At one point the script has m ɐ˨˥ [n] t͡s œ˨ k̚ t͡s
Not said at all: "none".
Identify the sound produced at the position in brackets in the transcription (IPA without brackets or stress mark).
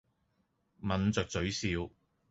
n